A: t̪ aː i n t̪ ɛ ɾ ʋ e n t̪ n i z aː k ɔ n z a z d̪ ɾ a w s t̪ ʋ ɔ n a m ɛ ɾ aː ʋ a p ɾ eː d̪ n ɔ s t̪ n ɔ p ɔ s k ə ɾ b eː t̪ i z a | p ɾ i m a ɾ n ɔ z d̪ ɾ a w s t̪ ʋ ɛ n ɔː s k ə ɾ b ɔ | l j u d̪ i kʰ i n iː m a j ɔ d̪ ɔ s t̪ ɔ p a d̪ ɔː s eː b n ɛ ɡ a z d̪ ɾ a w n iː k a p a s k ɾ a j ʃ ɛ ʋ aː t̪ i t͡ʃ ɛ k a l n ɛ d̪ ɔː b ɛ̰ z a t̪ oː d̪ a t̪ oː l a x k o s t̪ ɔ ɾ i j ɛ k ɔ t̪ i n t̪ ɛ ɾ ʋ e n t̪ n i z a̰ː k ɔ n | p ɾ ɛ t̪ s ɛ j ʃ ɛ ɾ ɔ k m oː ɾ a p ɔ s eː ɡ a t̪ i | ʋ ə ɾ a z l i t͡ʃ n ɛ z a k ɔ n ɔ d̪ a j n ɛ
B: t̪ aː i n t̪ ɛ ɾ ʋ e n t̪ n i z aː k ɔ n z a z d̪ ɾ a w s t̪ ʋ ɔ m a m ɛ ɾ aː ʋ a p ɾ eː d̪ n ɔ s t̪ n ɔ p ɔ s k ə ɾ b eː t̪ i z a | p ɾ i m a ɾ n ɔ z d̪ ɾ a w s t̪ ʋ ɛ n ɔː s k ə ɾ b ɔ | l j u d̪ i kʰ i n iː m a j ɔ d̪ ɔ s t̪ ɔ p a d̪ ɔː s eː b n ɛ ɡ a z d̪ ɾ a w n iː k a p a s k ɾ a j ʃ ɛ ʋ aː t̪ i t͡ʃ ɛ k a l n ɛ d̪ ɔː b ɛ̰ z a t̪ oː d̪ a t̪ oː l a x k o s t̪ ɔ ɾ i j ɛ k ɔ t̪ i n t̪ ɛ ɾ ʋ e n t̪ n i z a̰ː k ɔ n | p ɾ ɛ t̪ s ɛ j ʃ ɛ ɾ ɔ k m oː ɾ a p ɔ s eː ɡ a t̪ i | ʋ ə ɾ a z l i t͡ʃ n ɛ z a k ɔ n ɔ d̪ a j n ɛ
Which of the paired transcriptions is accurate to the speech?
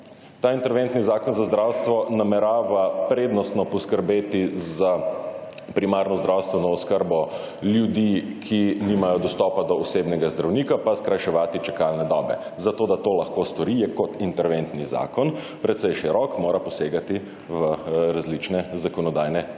A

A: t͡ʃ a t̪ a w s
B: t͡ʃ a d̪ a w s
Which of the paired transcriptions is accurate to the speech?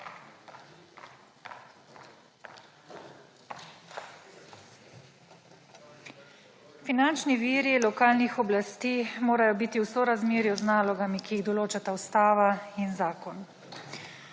A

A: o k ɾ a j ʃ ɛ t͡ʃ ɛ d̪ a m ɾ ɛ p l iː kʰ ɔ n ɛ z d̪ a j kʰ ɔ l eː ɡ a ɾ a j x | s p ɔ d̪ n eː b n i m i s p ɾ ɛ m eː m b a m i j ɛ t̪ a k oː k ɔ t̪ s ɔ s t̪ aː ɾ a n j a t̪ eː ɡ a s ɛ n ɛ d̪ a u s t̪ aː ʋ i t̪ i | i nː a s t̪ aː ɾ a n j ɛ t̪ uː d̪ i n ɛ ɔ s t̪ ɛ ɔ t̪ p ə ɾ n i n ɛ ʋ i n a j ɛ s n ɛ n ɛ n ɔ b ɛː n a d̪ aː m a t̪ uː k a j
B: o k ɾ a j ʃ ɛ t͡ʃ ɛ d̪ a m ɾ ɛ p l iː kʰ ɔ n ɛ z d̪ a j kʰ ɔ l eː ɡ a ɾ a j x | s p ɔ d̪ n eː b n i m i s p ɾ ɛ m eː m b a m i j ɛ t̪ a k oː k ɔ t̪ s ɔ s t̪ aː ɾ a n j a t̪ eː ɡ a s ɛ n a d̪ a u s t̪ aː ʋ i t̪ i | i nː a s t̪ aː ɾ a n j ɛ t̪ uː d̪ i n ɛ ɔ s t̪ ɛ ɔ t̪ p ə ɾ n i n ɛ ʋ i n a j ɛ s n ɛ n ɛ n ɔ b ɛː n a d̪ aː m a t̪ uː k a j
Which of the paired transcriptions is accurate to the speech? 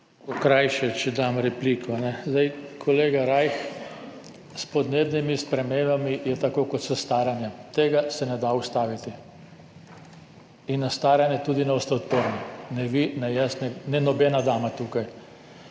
A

